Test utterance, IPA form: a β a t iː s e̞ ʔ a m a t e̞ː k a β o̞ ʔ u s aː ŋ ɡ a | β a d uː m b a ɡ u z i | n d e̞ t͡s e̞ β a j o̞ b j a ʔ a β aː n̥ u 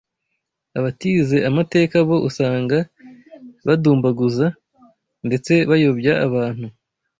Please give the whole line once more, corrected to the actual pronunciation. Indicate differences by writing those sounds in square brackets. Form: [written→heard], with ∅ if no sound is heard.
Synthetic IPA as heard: a β a t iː [s→z] e̞ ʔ a m a t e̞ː k a β o̞ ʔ u s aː ŋ ɡ a | β a d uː m b a ɡ u z [i→a] | n d e̞ t͡s e̞ β a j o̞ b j a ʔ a β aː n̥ u